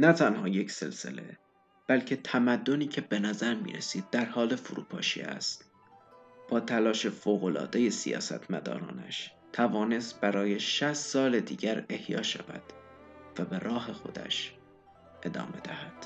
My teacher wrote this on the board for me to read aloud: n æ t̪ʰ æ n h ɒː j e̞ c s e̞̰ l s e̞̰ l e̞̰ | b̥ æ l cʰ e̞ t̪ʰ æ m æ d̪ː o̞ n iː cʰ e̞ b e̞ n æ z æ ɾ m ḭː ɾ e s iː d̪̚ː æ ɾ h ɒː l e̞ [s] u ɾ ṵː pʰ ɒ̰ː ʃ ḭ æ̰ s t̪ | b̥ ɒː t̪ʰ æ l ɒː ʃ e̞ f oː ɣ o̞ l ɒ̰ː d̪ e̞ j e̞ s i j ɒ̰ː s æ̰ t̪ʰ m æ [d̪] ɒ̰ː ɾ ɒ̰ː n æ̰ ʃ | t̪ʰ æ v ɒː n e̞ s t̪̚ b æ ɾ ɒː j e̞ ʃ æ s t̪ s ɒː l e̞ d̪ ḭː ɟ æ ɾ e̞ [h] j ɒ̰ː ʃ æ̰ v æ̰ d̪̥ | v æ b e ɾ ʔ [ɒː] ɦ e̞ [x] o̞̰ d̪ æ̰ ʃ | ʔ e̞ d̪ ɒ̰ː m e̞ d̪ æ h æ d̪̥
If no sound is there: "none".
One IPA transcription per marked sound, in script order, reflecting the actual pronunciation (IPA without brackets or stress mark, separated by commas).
f, d̪, h, ɒː, x